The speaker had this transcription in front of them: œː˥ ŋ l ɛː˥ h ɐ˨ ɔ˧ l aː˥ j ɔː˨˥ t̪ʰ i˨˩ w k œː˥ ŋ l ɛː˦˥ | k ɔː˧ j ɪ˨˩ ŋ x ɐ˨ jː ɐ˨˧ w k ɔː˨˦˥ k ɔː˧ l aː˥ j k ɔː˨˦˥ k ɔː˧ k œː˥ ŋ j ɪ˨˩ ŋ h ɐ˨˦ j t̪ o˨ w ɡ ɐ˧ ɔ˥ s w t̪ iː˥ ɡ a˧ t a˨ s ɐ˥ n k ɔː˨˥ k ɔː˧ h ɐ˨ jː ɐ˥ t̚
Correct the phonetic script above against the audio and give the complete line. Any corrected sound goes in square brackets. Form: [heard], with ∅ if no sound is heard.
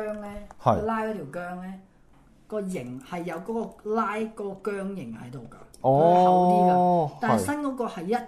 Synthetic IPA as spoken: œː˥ ŋ l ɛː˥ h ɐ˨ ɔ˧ l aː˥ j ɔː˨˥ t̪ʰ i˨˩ w k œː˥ ŋ l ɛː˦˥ | k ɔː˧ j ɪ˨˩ ŋ [h] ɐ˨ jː ɐ˨˧ w k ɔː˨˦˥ k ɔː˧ l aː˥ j k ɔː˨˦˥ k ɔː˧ k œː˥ ŋ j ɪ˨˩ ŋ h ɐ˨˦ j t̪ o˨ w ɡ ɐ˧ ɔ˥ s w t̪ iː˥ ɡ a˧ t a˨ s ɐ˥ n k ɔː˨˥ k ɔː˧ h ɐ˨ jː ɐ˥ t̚